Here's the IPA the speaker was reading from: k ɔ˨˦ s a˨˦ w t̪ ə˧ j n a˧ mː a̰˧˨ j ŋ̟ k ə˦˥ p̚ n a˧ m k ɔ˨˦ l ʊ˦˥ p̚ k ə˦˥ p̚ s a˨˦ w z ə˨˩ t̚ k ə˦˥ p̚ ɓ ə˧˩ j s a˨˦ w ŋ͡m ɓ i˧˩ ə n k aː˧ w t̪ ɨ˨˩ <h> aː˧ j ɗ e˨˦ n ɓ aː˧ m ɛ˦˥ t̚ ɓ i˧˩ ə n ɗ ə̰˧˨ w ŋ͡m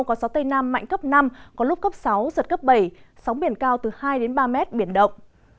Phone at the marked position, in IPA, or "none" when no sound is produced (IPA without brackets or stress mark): h